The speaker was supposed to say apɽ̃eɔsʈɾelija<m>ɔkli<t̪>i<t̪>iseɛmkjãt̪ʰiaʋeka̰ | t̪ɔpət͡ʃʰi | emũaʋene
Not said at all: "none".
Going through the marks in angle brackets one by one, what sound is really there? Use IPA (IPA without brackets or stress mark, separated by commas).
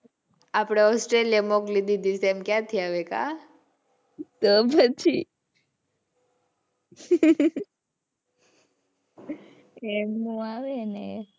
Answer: m, d̪, d̪